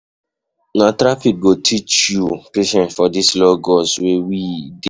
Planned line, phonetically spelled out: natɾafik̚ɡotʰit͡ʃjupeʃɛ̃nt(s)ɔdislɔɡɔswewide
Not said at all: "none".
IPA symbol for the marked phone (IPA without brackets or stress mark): f